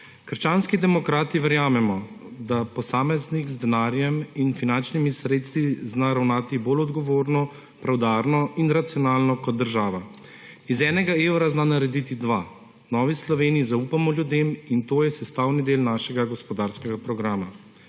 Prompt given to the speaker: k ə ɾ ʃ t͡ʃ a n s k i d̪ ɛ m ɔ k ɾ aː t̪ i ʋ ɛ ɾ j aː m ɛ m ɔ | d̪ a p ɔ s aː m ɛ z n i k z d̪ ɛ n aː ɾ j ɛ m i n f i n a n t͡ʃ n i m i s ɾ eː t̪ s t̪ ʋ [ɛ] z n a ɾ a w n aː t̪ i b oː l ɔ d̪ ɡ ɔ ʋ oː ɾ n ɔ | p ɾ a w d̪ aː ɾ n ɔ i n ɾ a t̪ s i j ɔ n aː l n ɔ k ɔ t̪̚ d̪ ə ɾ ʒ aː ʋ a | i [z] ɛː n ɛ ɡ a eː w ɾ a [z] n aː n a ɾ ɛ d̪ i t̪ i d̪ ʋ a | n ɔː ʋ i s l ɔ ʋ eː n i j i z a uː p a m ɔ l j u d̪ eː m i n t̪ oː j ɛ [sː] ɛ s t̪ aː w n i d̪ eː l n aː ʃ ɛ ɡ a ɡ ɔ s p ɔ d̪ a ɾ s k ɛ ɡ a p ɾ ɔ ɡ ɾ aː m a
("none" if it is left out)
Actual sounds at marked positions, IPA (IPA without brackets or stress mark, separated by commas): i, z, z, s